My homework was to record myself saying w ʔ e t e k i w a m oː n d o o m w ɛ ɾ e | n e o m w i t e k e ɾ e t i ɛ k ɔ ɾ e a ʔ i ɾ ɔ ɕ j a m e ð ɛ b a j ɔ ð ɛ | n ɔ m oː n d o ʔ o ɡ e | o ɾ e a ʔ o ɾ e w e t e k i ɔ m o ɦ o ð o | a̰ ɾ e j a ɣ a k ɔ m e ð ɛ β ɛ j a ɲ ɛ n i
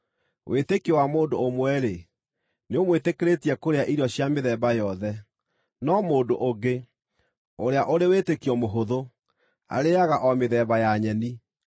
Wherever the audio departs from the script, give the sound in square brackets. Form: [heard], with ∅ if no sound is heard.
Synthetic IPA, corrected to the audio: w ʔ e t e k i w a m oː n d o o m w ɛ ɾ e | n e o m w [e] t e k e ɾ e t i ɛ k [o] ɾ e a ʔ i ɾ ɔ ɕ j a m e ð ɛ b a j ɔ ð ɛ | n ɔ m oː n d o ʔ o ɡ e | o ɾ e a ʔ o ɾ e w e t e k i ɔ m o ɦ o ð o | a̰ ɾ e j a ɣ a [ʔ] ɔ m e ð ɛ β [a] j a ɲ ɛ n i